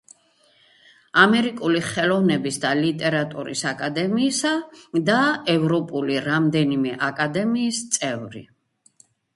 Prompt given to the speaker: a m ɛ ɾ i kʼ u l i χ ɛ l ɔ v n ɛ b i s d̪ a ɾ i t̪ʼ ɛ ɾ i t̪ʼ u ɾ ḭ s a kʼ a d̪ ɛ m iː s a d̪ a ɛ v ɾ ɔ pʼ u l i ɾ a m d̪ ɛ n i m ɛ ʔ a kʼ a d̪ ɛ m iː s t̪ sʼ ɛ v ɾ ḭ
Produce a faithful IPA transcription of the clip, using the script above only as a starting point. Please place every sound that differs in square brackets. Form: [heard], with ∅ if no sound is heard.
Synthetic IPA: a m ɛ ɾ i kʼ u l i χ ɛ l ɔ v n ɛ b i s d̪ a [l] i t̪ʼ ɛ ɾ [a] t̪ʼ u ɾ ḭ s a kʼ a d̪ ɛ m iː s a d̪ a ɛ v ɾ ɔ pʼ u l i ɾ a m d̪ ɛ n i m ɛ ʔ a kʼ a d̪ ɛ m iː s t̪ sʼ ɛ v ɾ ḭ